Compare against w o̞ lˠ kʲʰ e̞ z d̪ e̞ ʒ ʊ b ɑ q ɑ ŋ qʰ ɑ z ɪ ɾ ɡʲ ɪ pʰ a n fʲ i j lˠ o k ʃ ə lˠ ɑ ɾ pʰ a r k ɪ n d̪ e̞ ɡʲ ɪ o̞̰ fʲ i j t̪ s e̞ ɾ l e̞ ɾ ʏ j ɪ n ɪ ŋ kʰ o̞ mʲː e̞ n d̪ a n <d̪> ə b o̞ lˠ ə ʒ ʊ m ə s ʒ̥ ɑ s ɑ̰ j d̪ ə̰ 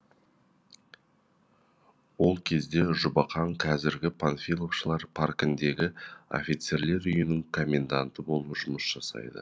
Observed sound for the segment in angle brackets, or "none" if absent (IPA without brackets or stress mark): t̪